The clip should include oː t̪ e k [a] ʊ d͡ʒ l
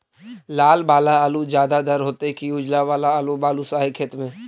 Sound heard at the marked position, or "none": i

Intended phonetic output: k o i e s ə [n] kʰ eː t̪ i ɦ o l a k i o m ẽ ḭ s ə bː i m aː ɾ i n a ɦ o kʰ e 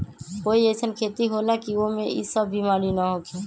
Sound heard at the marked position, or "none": n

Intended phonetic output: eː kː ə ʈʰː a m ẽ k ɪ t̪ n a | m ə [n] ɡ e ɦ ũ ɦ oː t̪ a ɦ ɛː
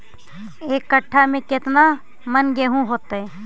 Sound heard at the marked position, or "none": n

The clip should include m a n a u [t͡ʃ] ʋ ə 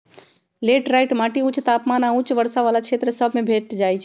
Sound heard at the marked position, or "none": t͡ʃ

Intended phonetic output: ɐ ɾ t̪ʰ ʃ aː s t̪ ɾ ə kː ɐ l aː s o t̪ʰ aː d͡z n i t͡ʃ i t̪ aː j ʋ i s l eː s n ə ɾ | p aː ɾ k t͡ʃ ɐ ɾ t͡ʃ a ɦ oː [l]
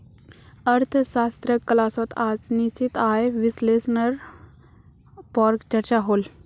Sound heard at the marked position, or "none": l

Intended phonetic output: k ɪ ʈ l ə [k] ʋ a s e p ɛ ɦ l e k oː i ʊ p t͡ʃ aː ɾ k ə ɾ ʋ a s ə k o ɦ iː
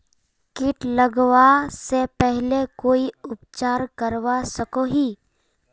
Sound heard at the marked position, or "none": ɡ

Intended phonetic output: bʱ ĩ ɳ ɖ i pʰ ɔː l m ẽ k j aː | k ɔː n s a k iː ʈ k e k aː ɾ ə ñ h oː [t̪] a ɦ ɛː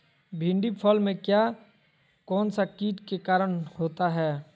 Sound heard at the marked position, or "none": t̪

